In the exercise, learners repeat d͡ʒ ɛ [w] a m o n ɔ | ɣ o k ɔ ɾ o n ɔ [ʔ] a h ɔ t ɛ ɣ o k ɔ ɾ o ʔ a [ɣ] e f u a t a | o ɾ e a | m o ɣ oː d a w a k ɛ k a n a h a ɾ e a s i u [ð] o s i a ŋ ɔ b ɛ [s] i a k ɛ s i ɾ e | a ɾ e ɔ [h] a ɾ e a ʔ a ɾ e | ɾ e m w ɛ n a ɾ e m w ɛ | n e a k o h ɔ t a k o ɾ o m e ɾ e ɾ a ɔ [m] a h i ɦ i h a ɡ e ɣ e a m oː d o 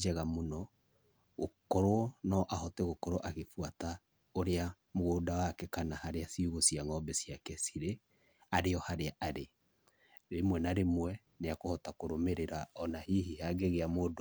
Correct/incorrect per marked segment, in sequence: incorrect: ɣ, correct, correct, incorrect: ɣ, correct, correct, incorrect: n

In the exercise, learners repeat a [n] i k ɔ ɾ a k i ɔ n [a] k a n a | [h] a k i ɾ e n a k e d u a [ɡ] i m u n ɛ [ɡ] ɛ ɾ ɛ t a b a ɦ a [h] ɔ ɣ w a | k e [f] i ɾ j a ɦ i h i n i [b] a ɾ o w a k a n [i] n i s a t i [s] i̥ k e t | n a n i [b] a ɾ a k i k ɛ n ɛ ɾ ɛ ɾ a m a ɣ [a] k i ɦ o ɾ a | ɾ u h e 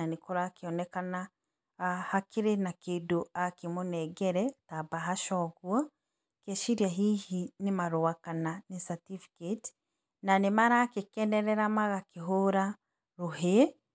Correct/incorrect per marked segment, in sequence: correct, incorrect: ɛ, correct, incorrect: k, correct, incorrect: ʃ, incorrect: ʃ, incorrect: m, incorrect: a, incorrect: f, incorrect: m, correct

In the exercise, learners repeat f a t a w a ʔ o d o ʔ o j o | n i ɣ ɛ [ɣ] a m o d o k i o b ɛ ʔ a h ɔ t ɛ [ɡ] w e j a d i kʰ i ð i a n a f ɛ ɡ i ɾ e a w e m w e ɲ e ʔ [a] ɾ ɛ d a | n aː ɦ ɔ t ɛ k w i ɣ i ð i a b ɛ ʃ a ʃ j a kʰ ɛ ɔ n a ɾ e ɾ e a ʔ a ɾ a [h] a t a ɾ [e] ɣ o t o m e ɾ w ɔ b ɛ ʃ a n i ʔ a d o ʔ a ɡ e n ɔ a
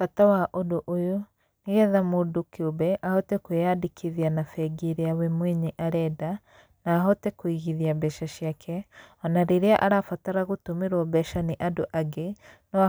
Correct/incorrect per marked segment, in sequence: incorrect: ð, incorrect: k, correct, incorrect: f, incorrect: a

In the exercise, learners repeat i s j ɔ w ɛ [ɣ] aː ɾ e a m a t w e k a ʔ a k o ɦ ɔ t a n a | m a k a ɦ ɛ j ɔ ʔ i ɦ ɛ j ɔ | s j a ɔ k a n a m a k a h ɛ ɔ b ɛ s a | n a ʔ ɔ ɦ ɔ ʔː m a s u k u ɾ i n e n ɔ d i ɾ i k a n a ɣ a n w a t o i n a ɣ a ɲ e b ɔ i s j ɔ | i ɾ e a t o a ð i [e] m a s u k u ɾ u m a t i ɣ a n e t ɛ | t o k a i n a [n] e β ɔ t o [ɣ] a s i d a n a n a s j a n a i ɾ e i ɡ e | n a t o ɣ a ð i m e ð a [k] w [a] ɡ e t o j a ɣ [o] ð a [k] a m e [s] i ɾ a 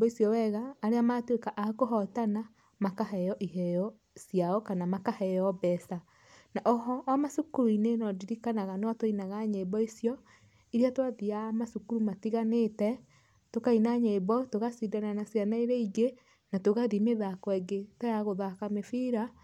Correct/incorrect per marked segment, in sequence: correct, incorrect: a, incorrect: ɲ, correct, correct, incorrect: ɛ, correct, correct, incorrect: f

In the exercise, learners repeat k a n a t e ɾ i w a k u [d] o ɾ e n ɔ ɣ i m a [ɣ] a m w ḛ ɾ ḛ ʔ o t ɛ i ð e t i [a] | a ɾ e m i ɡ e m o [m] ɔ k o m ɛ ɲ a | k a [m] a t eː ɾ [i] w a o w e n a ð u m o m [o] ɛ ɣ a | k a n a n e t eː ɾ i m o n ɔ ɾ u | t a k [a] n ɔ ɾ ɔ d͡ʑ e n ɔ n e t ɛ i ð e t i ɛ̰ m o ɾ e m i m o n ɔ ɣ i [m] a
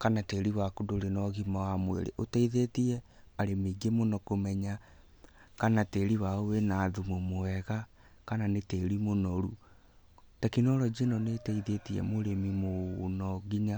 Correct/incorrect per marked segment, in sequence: correct, incorrect: w, incorrect: ɛ, incorrect: n, incorrect: n, correct, correct, incorrect: i, incorrect: ɲ

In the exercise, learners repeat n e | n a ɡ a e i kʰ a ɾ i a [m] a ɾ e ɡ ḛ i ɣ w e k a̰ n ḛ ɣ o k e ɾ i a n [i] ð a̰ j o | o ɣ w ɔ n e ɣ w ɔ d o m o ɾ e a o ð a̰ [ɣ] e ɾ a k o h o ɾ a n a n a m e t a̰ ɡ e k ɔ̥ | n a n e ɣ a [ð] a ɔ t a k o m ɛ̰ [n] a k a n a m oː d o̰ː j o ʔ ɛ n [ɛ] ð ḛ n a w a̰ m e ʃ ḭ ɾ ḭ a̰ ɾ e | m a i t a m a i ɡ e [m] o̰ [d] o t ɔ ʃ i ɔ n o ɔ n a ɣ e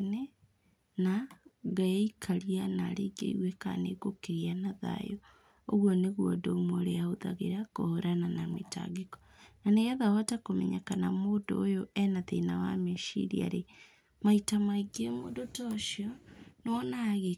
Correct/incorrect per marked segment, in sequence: incorrect: n, incorrect: a, correct, correct, incorrect: ɲ, incorrect: a, correct, correct

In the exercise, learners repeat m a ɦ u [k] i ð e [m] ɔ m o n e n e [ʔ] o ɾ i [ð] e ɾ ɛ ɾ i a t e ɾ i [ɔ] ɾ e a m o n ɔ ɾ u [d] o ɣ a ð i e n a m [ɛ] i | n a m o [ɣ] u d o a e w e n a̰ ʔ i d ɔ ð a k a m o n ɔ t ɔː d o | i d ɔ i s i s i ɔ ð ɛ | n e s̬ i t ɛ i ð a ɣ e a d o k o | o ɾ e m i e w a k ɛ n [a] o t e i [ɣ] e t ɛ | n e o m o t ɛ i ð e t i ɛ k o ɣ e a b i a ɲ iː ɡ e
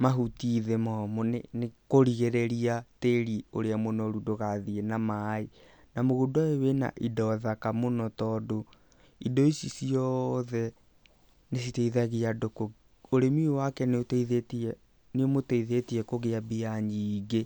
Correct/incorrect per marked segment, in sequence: incorrect: t, correct, incorrect: k, incorrect: ɣ, incorrect: o, correct, incorrect: a, correct, incorrect: e, incorrect: ð

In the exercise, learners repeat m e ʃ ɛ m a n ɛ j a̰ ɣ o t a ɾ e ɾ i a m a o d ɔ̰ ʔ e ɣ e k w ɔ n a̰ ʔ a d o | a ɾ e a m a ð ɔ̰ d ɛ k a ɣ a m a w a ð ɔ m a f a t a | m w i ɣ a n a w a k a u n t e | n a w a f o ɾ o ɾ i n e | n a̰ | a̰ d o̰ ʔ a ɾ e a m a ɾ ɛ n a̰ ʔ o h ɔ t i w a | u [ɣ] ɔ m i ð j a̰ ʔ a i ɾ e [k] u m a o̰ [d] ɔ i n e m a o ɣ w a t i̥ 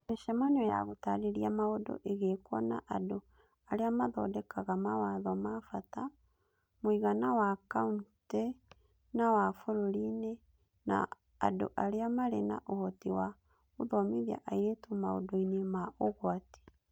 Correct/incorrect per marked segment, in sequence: incorrect: ð, incorrect: t, correct

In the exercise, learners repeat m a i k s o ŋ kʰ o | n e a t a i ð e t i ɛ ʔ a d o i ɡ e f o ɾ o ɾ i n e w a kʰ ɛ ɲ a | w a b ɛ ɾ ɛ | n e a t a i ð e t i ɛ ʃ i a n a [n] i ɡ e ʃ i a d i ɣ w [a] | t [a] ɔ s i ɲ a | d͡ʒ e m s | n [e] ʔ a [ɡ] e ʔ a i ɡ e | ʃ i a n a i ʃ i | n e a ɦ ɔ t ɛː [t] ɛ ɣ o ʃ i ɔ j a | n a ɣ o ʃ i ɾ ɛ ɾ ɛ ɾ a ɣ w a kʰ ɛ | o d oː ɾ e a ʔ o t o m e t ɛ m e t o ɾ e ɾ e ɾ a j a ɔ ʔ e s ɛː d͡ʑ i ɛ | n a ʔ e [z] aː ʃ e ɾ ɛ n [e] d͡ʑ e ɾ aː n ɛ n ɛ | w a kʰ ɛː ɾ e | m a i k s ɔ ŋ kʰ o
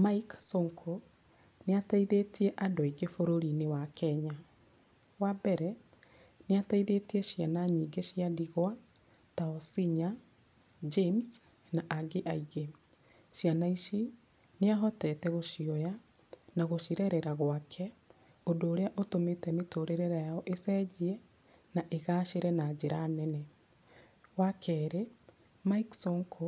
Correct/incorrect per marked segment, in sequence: incorrect: ɲ, correct, correct, incorrect: a, correct, correct, incorrect: ɣ, incorrect: a

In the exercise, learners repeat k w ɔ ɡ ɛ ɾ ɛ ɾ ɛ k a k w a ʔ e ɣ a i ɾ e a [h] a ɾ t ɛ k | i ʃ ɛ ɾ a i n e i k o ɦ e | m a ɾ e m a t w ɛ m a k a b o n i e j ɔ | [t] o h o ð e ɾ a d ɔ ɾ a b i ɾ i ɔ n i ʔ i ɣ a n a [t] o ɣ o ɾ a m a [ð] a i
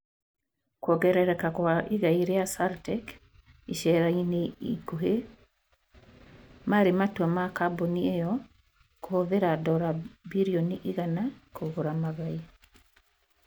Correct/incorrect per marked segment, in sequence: incorrect: s, incorrect: k, incorrect: k, incorrect: ɣ

